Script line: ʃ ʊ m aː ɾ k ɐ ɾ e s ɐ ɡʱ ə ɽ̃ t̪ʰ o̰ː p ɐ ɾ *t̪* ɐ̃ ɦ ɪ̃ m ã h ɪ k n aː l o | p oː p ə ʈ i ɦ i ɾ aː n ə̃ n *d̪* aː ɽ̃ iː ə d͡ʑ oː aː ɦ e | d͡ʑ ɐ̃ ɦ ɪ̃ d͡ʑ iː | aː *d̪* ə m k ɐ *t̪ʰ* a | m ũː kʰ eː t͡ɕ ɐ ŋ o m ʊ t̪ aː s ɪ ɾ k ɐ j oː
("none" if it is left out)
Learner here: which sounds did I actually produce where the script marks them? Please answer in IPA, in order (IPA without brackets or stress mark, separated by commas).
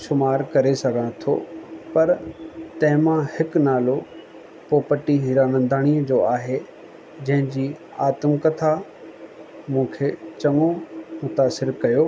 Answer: t̪, d̪, t̪, t̪ʰ